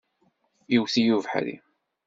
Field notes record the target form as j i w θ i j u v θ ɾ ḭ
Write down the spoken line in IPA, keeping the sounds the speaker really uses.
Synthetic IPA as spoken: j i w θ i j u v ħ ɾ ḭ